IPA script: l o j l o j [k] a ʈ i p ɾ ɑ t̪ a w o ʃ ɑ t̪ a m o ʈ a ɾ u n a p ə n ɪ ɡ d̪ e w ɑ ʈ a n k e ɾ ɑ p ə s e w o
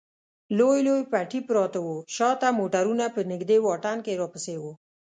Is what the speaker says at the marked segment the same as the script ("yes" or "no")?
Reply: no